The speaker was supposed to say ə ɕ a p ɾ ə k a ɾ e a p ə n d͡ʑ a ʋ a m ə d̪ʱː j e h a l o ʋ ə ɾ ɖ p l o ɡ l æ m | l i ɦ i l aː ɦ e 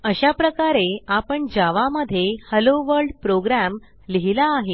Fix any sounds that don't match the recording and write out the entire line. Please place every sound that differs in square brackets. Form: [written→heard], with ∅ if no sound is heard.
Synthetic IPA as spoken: ə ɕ a p ɾ ə k a ɾ e a p ə [n→ɳ] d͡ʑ a ʋ a m ə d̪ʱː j e h [a→ə] l o ʋ ə ɾ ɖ p [l→ɾ] o ɡ [l→ɾ] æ m | l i ɦ i l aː ɦ e